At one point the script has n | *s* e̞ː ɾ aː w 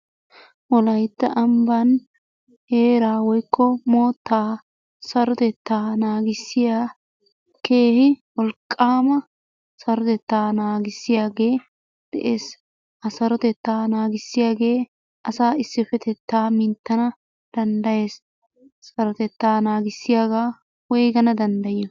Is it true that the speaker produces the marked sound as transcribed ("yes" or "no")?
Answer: no